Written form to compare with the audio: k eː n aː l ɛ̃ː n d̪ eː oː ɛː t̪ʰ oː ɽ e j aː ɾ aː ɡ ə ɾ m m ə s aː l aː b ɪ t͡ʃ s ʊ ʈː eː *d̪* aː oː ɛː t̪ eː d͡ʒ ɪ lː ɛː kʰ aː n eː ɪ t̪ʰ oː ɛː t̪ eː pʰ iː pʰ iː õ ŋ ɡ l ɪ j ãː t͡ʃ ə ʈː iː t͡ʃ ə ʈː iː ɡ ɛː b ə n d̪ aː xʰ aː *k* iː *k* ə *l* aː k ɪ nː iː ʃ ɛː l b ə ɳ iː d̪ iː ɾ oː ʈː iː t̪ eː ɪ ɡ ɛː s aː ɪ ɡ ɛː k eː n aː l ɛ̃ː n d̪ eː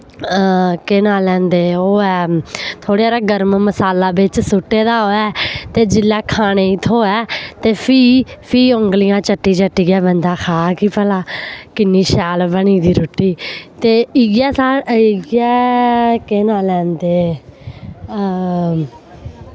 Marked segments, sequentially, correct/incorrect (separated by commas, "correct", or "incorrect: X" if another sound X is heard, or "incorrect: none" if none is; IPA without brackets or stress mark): correct, correct, incorrect: p, correct